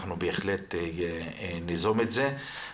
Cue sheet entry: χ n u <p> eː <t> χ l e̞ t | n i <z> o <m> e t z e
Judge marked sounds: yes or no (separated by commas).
no, no, yes, yes